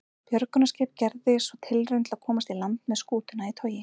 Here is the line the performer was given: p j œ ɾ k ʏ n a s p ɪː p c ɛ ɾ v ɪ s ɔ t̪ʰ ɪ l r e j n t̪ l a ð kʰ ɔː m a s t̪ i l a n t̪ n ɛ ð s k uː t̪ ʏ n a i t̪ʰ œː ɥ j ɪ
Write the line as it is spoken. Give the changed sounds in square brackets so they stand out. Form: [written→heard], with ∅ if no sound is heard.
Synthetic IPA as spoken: p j œ ɾ k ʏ n a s [p→c] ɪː p c ɛ ɾ [v→ð] ɪ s ɔ t̪ʰ ɪ l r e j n t̪ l a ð kʰ ɔː m a s t̪ i l a n t̪ [n→m] ɛ ð s k uː t̪ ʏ n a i t̪ʰ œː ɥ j ɪ